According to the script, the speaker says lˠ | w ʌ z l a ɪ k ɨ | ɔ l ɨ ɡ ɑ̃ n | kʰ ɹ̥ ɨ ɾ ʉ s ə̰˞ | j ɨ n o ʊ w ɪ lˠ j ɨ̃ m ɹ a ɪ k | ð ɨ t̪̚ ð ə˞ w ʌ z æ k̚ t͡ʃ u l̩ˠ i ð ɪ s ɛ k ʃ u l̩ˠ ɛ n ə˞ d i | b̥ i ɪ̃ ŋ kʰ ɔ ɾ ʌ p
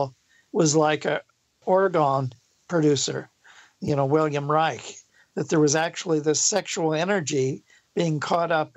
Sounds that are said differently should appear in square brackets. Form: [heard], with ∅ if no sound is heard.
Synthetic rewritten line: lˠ | w ʌ z l a ɪ k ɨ | ɔ [ɹ] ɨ ɡ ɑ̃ n | [pʰ] ɹ̥ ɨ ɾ ʉ s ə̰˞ | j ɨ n o ʊ w ɪ lˠ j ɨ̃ m ɹ a ɪ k | ð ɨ t̪̚ ð ə˞ w ʌ z æ k̚ t͡ʃ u l̩ˠ i ð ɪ s ɛ k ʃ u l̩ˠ ɛ n ə˞ [d͡ʒ] i | b̥ i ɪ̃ ŋ kʰ ɔ ɾ ʌ p